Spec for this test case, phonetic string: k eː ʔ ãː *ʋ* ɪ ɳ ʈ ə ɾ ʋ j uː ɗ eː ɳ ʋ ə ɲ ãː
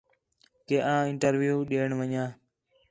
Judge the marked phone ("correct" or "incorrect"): incorrect